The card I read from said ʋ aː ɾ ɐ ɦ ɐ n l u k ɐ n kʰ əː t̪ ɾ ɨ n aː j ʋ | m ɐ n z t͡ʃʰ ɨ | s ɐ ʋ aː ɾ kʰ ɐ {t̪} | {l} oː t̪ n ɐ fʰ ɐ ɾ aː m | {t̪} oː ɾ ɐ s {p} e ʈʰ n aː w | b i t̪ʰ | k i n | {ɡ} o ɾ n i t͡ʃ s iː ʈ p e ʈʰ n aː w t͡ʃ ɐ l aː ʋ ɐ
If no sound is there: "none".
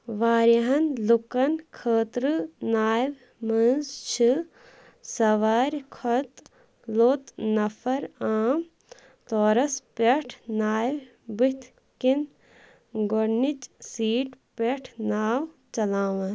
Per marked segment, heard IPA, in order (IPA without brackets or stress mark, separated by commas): t̪, l, t̪, p, ɡ